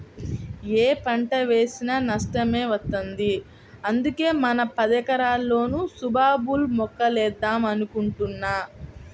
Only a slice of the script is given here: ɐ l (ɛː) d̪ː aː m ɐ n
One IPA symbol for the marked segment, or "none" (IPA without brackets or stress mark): ɛː